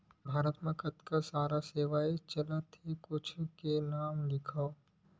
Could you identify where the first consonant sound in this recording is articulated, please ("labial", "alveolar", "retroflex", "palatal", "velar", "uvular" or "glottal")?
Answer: labial